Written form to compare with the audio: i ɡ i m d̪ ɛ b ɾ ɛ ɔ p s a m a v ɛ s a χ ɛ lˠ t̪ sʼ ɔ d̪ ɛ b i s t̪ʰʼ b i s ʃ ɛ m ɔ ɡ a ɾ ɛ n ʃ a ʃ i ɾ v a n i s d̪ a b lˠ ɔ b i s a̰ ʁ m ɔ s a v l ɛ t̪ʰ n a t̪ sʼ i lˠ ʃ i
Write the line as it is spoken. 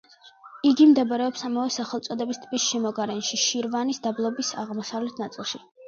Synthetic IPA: i ɡ i m d̪ ɛ b ɾ ɛ ɔ p s a m a v ɛ s a χ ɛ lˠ t̪ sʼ ɔ d̪ ɛ b i s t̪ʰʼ b i s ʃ ɛ m ɔ ɡ a ɾ ɛ n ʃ i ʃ i ɾ v a n i s d̪ a b lˠ ɔ b i s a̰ ʁ m ɔ s a v l ɛ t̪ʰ n a t̪ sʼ i lˠ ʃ i